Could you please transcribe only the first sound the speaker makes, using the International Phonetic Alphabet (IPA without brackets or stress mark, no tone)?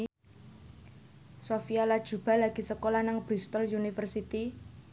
s